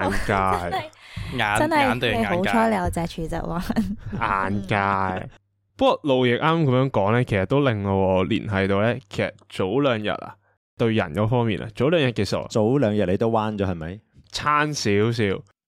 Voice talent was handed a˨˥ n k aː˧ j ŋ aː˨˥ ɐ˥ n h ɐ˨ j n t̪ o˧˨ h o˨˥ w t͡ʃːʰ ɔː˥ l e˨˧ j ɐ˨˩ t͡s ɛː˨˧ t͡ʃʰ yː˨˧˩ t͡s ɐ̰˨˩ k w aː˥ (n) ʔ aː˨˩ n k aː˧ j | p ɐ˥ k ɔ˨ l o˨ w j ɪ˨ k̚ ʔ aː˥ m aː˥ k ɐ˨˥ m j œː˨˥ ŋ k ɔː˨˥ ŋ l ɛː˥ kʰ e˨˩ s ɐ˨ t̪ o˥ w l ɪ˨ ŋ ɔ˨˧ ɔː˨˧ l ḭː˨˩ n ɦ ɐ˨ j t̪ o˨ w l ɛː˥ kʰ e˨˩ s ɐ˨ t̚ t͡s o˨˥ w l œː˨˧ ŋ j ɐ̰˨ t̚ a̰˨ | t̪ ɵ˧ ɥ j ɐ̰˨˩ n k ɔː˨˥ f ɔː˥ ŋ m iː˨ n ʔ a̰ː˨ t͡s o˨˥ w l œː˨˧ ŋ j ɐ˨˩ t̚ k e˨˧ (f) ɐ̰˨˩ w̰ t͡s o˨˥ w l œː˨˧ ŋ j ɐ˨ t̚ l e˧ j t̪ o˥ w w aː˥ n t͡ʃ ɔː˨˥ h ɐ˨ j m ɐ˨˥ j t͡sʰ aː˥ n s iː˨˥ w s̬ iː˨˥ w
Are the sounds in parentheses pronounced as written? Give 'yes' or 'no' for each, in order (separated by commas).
yes, no